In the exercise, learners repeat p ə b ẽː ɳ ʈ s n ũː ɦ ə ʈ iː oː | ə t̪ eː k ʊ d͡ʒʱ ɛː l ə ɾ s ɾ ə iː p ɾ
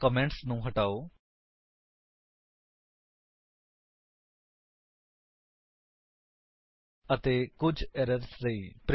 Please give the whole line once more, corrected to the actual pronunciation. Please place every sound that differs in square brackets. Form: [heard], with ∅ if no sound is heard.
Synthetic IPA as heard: [k] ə [m] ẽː ɳ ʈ s n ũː ɦ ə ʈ [aː] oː | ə t̪ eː k ʊ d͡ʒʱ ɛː [ɾ] ə ɾ s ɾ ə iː p ɾ